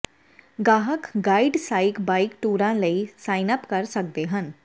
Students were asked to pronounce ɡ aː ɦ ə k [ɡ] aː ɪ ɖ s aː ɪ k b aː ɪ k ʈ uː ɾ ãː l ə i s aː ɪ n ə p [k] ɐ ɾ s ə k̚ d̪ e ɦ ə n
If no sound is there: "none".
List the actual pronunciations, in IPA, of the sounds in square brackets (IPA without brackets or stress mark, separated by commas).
ɡ, k